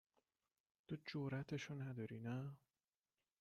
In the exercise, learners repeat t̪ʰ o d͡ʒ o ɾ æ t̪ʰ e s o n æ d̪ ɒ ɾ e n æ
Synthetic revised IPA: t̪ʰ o d͡ʒ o ɾ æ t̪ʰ e ʃ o n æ d̪ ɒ ɾ i n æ